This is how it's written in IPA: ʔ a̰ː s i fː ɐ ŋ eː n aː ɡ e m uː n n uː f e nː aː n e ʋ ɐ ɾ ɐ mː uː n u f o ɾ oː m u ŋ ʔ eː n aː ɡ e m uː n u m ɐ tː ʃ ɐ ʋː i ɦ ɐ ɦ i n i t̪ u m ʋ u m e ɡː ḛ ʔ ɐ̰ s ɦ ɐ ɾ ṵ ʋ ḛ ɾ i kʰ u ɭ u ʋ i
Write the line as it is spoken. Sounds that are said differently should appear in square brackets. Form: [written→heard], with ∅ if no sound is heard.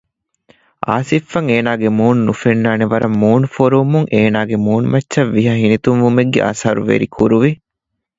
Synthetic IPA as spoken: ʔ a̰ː s i fː ɐ ŋ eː n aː ɡ e m uː n n [uː→u] f e nː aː n e ʋ ɐ ɾ ɐ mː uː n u f o ɾ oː m u ŋ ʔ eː n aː ɡ e m uː n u m ɐ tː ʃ ɐ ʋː i ɦ ɐ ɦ i n i t̪ u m ʋ u m e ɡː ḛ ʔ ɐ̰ s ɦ ɐ ɾ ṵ ʋ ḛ ɾ i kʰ u [ɭ→ɾ] u ʋ i